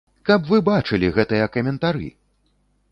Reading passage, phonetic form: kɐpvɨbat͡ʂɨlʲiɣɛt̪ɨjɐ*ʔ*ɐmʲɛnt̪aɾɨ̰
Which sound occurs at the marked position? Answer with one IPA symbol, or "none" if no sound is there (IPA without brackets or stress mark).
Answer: k